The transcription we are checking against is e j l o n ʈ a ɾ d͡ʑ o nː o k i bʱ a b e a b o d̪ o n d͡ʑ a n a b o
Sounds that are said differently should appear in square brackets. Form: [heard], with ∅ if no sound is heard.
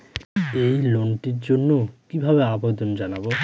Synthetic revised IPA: e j l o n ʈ [i] ɾ d͡ʑ o nː o k i bʱ a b e a b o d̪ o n d͡ʑ a n a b o